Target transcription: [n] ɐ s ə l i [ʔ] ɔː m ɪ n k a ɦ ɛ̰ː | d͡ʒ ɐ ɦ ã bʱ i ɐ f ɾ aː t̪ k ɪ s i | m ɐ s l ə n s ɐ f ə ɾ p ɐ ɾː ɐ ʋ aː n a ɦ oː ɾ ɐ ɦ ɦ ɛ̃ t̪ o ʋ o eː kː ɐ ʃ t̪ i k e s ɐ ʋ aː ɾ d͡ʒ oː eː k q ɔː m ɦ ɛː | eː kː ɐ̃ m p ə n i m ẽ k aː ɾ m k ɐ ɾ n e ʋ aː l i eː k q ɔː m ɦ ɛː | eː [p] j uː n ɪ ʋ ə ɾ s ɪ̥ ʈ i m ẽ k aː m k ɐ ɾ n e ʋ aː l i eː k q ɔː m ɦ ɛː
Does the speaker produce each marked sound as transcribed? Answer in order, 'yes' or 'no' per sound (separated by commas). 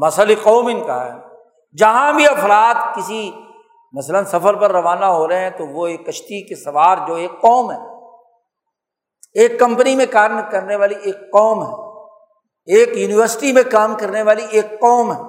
no, no, no